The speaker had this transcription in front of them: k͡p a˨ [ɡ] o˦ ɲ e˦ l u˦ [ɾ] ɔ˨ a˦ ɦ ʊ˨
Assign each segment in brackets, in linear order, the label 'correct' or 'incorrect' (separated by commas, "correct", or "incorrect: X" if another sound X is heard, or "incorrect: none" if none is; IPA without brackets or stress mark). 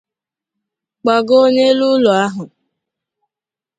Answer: correct, incorrect: l